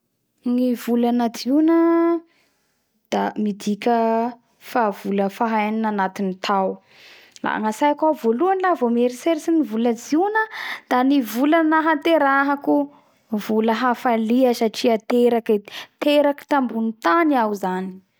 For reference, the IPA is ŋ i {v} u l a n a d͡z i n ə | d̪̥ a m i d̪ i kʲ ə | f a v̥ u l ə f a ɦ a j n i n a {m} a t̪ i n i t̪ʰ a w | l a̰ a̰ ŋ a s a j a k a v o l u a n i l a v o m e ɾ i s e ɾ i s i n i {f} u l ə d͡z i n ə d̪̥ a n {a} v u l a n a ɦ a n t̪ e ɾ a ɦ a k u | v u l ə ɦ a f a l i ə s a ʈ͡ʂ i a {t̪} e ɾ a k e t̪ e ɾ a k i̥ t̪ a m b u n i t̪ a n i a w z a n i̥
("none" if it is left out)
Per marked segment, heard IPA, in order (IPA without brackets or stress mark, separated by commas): v, n, v, i, t̪